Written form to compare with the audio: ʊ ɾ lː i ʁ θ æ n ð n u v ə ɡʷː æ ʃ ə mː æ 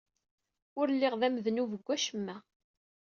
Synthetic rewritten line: ʊ ɾ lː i ʁ ð æ m ð n u v ə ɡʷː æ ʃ ə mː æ